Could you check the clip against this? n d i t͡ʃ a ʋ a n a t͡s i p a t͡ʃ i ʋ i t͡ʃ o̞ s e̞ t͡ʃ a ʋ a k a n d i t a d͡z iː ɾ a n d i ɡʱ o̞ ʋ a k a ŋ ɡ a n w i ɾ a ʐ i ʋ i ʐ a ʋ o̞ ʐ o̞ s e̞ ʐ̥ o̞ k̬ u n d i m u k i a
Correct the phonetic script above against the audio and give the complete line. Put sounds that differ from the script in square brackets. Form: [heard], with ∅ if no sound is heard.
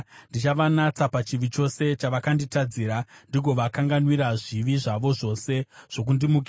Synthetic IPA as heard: n d i t͡ʃ a ʋ a n a t͡s [a] p a t͡ʃ i ʋ i t͡ʃ o̞ s e̞ t͡ʃ a ʋ a k a n d i t a d͡z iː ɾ a n d i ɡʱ o̞ ʋ a k a ŋ ɡ a n w i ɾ a ʐ i ʋ i ʐ a ʋ o̞ ʐ o̞ s e̞ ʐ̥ o̞ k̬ u n d i m u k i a